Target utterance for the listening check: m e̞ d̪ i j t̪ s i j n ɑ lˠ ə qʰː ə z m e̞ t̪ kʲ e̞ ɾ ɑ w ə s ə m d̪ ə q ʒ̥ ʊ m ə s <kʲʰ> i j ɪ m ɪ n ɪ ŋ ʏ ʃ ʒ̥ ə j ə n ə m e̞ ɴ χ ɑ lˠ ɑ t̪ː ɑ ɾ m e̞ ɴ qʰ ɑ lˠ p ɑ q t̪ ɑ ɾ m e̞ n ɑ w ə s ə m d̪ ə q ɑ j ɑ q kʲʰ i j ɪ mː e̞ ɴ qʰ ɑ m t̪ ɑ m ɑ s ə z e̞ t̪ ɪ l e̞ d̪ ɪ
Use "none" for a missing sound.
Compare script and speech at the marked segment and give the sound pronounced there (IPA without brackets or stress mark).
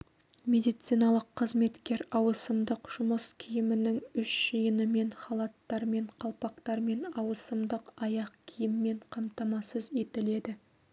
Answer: kʲʰ